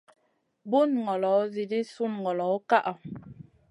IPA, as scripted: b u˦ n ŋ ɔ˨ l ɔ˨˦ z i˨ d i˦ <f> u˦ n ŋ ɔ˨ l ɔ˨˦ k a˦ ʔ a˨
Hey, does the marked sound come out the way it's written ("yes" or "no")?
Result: no